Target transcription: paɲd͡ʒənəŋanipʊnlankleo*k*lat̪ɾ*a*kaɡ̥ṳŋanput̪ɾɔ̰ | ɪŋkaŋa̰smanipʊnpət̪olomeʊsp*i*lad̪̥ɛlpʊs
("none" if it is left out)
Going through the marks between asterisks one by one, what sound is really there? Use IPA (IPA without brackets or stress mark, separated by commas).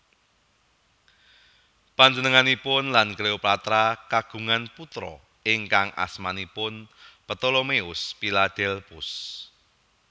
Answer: p, a, i